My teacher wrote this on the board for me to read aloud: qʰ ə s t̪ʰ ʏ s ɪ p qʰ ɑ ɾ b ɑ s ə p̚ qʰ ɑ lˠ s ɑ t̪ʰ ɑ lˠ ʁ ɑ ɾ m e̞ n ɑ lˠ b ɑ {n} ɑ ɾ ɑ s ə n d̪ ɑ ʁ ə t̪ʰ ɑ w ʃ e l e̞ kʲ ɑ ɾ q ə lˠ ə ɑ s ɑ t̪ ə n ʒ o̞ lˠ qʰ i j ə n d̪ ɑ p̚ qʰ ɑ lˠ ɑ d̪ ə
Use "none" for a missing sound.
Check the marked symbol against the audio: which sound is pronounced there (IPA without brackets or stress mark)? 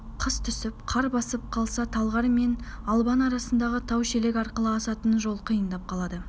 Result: n